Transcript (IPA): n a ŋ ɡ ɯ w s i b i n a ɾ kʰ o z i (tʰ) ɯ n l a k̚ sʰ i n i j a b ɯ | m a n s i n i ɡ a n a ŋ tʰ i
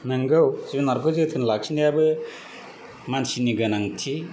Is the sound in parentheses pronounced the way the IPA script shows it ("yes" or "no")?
yes